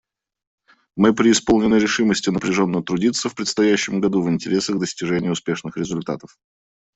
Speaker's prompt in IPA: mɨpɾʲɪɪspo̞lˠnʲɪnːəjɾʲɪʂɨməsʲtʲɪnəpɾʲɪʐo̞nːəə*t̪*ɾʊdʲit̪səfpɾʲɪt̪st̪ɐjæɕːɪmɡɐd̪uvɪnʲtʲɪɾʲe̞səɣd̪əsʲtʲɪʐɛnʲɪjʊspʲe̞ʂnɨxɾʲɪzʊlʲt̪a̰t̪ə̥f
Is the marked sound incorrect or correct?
correct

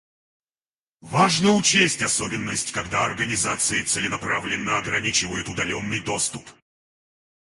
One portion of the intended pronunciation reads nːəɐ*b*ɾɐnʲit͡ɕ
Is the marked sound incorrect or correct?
incorrect: ɡ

